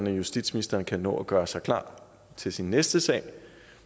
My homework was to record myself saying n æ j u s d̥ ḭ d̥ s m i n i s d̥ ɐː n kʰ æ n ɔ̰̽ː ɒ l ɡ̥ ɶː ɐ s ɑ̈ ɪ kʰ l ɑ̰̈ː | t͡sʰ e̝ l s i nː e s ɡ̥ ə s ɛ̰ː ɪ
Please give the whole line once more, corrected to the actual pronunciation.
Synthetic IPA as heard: n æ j u s d̥ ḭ d̥ s m i n i s d̥ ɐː n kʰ æ n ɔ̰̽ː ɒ ɡ̥ ɶː ɐ s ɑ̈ ɪ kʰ l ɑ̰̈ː | t͡sʰ e̝ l s i nː e s d̥ ə s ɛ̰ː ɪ